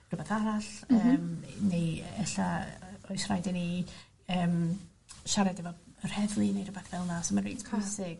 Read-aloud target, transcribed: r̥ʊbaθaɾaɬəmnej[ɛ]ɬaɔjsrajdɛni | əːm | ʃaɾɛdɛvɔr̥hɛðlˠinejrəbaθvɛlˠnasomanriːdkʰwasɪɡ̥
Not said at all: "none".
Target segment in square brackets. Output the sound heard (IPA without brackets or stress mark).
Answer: ɛ